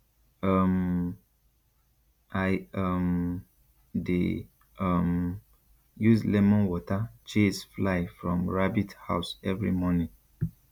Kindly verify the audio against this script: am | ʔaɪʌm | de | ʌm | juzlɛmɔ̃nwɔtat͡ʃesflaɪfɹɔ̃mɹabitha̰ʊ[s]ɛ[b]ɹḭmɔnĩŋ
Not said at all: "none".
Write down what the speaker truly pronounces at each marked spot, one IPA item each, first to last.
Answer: s, v

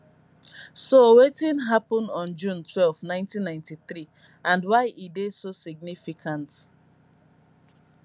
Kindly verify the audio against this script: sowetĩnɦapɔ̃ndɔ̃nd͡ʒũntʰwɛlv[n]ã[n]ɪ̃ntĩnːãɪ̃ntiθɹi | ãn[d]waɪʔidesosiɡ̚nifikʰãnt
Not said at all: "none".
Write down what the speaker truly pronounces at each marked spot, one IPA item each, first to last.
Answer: n, none, d

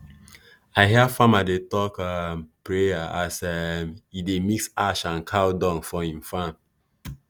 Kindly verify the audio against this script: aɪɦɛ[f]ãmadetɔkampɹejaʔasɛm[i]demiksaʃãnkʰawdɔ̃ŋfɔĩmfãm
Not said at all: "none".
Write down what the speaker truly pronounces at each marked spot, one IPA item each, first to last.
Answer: f, i

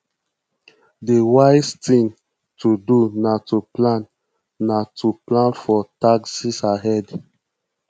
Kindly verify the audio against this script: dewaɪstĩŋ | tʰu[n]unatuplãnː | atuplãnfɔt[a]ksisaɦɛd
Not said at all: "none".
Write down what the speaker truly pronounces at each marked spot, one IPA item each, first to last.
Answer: d, a

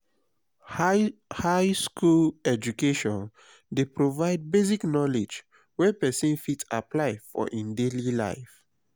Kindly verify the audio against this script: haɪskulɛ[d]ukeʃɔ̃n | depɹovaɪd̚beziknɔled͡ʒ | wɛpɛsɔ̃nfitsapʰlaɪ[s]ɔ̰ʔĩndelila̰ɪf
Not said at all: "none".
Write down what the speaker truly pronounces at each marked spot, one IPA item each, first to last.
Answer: d͡ʒ, f

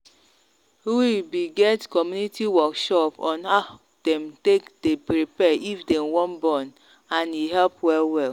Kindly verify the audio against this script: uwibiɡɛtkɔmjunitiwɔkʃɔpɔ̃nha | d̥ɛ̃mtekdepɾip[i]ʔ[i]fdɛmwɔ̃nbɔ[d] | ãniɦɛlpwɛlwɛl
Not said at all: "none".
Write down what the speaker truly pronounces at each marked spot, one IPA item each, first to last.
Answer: ɛ, i, n

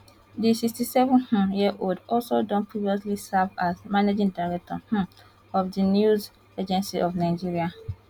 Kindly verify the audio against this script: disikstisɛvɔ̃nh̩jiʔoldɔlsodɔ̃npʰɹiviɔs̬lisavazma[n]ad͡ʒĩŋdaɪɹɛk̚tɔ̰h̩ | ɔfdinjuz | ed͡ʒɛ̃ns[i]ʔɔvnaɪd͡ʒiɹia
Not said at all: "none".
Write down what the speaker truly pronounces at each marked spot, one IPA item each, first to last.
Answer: n, i

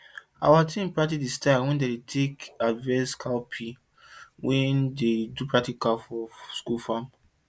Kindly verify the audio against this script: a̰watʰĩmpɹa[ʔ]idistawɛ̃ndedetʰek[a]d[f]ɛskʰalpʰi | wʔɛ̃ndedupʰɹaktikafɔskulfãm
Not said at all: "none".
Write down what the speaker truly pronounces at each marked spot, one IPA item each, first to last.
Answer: t, a, v

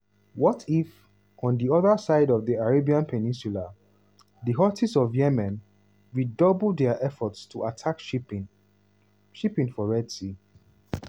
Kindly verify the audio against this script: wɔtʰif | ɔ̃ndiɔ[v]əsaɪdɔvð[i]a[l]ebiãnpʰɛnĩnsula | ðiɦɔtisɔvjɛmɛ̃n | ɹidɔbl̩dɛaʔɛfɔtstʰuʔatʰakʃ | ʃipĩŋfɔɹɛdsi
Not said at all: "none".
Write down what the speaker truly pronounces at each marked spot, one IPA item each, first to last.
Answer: ð, i, ɹ

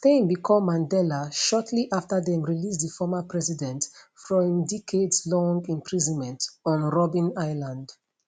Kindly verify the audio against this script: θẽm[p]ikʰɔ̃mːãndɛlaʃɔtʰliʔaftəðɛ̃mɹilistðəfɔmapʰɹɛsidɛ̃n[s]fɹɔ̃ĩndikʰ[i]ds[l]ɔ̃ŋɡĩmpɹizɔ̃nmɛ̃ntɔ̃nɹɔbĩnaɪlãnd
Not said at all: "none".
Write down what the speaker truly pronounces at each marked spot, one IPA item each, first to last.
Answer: b, t, e, l

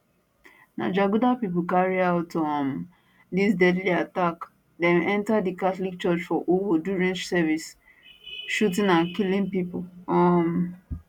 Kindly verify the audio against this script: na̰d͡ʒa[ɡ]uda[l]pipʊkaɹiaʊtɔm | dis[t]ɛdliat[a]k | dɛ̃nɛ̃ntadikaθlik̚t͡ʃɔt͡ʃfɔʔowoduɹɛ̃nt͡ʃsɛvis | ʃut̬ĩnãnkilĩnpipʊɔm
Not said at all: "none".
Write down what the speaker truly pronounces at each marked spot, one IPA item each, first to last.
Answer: ɡ, none, d, a

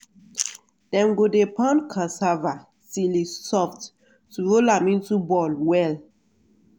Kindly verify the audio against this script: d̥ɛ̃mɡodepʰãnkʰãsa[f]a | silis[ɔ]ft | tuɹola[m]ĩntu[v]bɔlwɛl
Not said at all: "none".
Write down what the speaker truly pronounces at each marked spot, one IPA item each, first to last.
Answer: v, ɔ, m, none

